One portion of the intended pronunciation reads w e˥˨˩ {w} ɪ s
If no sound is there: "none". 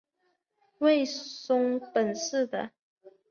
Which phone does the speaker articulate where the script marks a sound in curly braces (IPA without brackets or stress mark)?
none